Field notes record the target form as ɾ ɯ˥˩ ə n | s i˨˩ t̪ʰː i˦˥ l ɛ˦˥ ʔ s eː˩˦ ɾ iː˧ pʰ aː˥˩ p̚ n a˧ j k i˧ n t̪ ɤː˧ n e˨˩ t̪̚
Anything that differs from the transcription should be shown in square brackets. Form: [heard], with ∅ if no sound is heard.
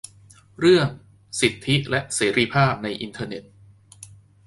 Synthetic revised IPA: ɾ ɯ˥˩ ə [ŋ] | s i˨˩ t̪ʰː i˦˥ l ɛ˦˥ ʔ s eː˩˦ ɾ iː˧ pʰ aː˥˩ p̚ n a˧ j [ʔ] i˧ n [t̪ʰ] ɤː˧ n e˨˩ t̪̚